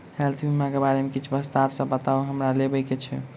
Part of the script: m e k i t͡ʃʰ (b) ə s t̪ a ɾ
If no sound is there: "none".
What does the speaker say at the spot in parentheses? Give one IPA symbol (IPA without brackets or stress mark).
b